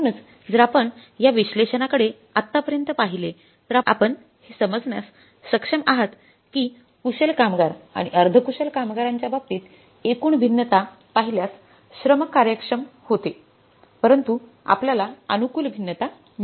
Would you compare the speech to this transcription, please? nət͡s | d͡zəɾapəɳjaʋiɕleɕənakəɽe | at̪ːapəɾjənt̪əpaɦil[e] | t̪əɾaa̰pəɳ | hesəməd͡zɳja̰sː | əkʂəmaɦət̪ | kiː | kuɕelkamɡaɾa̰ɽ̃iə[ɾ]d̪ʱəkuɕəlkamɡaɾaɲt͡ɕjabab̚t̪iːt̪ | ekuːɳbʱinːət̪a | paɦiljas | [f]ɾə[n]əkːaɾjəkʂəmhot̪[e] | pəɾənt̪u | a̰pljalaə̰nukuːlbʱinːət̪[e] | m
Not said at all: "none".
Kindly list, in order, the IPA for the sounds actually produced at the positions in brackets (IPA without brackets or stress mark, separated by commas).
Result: e, ɾ, ɕ, m, e, a